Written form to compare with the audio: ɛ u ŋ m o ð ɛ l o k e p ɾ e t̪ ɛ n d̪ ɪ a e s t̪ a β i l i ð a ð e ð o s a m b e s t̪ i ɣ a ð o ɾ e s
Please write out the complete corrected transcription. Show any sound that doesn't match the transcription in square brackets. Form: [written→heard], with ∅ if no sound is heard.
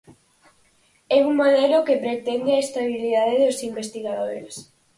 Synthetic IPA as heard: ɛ u ŋ m o ð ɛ l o k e p ɾ e t̪ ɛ n d̪ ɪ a e s t̪ a β i l i ð a ð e ð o s [a→i] m b e s t̪ i ɣ a ð o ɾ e s